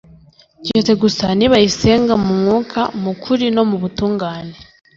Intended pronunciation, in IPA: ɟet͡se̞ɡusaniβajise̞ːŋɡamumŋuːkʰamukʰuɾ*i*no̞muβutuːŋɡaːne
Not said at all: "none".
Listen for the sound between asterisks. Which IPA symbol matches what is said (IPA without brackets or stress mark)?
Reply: i